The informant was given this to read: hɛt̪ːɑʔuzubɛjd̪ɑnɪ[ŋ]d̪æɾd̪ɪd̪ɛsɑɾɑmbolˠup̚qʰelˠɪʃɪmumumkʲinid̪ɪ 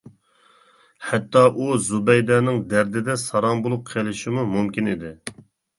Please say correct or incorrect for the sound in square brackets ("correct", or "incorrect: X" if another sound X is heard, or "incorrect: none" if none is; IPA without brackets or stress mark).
correct